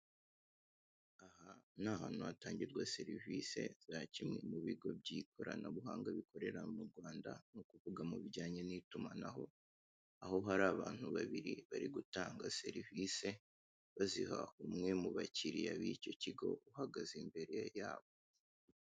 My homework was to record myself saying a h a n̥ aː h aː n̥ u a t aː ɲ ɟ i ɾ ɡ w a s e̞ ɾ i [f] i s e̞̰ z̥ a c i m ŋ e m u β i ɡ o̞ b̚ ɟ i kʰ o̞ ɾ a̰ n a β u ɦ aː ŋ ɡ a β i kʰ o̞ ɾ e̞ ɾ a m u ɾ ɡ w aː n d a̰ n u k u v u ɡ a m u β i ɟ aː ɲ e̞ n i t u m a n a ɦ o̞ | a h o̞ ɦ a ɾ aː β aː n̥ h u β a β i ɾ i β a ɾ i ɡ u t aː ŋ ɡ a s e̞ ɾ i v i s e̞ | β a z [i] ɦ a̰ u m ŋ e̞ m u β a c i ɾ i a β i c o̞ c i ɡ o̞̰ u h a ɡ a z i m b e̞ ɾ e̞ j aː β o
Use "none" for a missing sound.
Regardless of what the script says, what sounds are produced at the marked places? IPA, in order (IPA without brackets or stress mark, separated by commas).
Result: v, i